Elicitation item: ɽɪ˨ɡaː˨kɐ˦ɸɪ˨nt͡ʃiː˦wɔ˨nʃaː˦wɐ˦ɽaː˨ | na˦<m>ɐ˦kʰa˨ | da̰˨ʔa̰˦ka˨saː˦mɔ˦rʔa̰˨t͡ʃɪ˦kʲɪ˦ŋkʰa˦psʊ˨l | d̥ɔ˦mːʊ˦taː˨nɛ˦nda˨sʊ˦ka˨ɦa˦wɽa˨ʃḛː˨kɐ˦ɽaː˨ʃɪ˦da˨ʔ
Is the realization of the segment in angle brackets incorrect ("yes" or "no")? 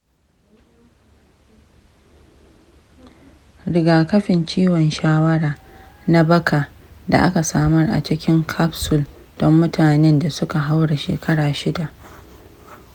yes